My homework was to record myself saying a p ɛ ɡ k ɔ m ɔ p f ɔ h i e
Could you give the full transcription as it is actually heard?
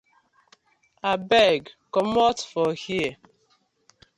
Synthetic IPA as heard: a b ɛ ɡ k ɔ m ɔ t f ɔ h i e